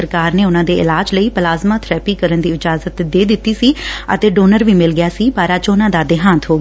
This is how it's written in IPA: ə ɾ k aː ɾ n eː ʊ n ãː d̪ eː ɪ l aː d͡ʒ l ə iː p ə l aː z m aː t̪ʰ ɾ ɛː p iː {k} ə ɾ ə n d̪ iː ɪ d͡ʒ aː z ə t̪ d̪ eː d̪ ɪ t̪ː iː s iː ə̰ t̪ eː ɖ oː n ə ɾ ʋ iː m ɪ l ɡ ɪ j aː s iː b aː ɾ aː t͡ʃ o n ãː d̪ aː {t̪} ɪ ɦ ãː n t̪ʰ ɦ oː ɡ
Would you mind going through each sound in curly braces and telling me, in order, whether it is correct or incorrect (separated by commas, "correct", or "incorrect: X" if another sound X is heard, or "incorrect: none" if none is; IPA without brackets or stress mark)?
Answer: correct, incorrect: d̪